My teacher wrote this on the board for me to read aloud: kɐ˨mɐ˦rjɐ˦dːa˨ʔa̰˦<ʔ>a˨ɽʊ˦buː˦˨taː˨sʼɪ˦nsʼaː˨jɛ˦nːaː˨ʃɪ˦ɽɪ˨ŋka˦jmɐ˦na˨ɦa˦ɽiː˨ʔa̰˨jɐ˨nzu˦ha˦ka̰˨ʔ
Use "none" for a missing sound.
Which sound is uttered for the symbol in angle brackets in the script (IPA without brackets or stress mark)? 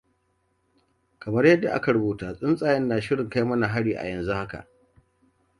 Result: k